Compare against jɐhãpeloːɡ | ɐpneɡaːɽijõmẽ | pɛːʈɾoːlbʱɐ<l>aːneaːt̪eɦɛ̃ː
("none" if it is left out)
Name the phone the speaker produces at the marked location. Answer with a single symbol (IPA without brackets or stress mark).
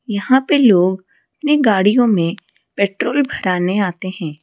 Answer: ɾ